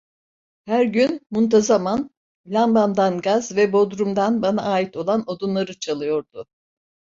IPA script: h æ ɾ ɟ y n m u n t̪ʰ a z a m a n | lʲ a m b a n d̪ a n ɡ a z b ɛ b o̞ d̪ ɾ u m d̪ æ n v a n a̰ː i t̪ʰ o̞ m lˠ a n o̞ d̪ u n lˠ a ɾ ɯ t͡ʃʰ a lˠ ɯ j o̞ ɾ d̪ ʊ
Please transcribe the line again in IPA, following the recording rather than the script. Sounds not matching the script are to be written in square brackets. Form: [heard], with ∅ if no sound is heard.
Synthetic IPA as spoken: h æ ɾ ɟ y n m u n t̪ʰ a z a m a n | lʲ a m b a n d̪ a n ɡ a z [v] ɛ b o̞ d̪ ɾ u m d̪ [a] n [b] a n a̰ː i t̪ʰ o̞ [∅] lˠ a n o̞ d̪ u n lˠ a ɾ ɯ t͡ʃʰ a lˠ ɯ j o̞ ɾ d̪ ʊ